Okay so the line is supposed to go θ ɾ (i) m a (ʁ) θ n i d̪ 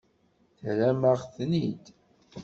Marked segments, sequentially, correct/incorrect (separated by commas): incorrect, correct